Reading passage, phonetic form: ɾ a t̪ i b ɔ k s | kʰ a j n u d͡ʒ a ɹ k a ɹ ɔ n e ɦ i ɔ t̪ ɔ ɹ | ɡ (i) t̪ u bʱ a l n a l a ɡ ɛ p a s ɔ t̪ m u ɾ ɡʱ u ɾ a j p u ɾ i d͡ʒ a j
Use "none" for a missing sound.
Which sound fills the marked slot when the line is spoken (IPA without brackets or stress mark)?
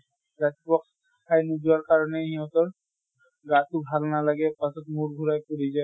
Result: a